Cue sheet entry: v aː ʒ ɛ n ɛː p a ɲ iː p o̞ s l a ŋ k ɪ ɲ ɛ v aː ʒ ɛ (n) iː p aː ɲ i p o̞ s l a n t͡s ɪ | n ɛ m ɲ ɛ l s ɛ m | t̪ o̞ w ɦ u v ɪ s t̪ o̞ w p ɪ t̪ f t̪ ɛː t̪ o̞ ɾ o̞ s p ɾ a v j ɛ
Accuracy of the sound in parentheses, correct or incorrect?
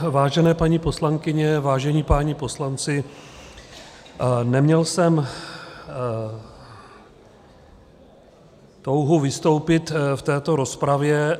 incorrect